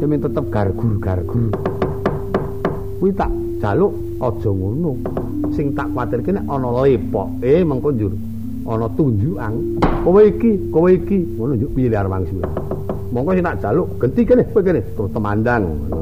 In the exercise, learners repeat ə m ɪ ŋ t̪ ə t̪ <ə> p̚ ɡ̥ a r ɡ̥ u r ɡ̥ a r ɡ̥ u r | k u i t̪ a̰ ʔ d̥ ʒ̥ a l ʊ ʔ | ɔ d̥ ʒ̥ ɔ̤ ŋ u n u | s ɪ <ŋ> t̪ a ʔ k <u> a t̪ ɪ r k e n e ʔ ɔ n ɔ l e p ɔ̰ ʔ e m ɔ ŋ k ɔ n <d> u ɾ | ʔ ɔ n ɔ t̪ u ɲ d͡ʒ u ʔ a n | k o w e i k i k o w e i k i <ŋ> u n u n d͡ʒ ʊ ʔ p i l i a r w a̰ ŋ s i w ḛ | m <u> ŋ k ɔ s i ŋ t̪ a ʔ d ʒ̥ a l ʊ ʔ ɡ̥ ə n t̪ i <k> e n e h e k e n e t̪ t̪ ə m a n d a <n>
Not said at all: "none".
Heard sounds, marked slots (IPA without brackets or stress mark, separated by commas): ə, ŋ, w, d͡ʒ, ŋ, ɔ, k, ŋ